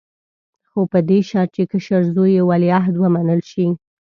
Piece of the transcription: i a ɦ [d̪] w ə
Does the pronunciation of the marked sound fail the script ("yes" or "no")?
no